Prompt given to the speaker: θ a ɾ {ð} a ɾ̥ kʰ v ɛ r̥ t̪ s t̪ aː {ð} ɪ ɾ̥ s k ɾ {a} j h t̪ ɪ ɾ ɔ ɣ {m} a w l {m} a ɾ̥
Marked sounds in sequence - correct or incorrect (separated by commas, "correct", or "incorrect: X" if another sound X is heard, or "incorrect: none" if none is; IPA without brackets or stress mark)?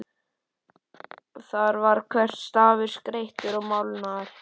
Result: incorrect: v, incorrect: v, incorrect: e, correct, incorrect: n